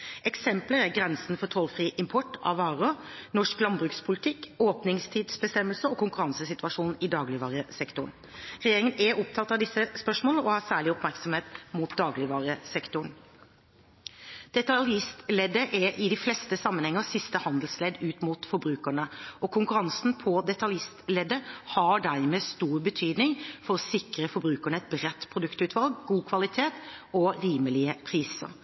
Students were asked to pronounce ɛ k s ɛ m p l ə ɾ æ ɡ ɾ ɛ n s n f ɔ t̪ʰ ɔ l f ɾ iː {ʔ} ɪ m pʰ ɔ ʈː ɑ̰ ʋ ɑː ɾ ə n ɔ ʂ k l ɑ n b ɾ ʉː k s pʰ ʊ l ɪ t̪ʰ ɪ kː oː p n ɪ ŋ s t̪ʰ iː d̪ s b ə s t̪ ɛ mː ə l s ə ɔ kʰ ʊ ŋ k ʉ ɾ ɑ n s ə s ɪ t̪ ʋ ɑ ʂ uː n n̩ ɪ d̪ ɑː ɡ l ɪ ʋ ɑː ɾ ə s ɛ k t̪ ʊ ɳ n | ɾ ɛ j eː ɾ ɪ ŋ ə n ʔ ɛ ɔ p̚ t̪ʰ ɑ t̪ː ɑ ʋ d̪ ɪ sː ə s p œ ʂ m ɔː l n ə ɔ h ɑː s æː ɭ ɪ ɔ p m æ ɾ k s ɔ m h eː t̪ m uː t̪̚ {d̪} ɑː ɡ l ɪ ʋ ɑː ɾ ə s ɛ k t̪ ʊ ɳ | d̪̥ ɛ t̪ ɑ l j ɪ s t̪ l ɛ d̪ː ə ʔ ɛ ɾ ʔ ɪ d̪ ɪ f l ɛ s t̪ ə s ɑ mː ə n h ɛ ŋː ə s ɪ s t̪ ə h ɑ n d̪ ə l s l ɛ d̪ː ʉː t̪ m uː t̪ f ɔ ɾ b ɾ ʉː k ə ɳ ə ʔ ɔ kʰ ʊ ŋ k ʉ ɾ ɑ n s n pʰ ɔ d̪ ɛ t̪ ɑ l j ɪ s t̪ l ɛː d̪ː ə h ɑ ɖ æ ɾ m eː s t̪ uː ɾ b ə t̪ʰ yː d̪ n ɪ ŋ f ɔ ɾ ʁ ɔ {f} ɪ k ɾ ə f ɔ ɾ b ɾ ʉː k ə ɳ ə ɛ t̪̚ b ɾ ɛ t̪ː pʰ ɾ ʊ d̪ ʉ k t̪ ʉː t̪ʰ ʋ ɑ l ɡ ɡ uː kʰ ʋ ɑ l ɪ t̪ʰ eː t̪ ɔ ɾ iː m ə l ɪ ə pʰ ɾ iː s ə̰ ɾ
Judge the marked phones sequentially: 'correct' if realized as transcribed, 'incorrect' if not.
correct, correct, incorrect: s

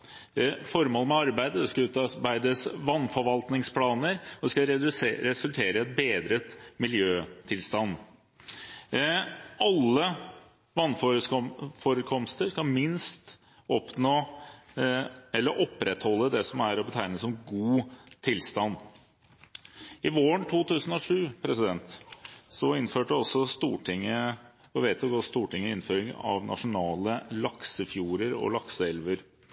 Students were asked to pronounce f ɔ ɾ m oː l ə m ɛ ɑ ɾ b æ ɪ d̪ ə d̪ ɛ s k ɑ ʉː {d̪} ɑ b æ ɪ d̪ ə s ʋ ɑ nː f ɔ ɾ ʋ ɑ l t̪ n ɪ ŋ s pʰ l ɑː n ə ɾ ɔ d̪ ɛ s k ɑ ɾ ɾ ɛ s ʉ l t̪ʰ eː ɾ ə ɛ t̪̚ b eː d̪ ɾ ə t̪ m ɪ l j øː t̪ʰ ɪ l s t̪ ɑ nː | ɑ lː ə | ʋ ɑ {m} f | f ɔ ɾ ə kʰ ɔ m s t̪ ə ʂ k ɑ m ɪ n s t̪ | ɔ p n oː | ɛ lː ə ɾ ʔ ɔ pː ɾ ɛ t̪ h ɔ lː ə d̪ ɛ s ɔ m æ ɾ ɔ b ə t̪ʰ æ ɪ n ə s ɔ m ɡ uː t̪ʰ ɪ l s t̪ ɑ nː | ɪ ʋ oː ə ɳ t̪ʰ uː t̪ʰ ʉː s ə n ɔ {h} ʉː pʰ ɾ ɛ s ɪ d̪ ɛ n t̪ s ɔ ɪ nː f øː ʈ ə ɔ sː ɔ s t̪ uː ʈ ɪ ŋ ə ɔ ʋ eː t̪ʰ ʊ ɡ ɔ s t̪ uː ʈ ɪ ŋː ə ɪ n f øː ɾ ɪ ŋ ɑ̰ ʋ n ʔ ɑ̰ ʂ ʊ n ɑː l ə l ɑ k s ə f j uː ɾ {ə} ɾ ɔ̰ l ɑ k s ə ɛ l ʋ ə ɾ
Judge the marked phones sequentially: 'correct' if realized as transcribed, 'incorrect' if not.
incorrect: t̪, incorrect: n, incorrect: ʂ, correct

